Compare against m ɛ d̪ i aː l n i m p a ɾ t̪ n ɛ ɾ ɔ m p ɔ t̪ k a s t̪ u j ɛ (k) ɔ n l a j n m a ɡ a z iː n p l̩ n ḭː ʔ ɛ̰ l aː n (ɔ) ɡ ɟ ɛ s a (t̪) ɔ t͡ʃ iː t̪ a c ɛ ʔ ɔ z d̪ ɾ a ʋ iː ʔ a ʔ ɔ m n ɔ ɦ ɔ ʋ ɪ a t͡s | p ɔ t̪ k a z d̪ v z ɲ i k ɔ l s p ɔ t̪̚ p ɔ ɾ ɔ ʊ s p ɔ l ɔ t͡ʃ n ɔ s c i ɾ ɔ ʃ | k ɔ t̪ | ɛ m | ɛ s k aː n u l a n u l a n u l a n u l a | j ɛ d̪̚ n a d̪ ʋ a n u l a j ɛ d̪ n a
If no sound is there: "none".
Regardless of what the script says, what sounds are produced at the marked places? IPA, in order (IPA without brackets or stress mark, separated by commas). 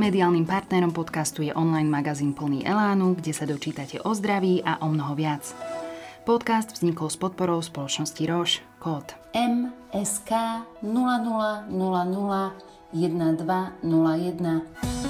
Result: ʔ, u, d̪